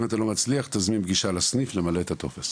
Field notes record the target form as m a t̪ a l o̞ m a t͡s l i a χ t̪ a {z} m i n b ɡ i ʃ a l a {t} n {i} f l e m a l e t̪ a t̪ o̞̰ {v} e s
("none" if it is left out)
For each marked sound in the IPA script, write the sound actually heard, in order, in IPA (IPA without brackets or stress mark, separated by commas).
z, s, i, f